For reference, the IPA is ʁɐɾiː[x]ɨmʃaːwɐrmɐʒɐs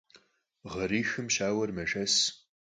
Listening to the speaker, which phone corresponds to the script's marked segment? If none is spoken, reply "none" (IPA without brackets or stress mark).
x